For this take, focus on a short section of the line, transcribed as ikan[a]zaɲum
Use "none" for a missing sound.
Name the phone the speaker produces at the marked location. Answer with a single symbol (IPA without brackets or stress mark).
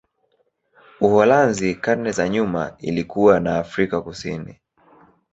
ɛ